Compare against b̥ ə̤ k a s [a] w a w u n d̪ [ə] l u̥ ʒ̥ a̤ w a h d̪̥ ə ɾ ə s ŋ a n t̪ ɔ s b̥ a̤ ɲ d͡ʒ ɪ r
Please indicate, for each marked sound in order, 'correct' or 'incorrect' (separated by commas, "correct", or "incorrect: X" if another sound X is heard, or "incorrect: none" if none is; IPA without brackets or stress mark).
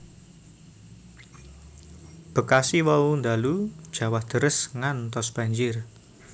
incorrect: i, incorrect: a